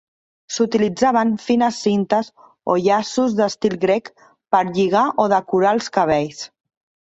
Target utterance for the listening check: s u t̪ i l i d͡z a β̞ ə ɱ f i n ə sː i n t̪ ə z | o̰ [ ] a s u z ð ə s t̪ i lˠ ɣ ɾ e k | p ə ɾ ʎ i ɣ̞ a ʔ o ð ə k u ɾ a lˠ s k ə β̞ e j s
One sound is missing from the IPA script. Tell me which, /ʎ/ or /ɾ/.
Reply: ʎ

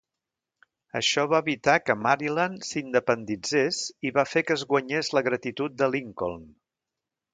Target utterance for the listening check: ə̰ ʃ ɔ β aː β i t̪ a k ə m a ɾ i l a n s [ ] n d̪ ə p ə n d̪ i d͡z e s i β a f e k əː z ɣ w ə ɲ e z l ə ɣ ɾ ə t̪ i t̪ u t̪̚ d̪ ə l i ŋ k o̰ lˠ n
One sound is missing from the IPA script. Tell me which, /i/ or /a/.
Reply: i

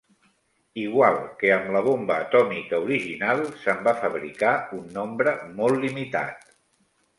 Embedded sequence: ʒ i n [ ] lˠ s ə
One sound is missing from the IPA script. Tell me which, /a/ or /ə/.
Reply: a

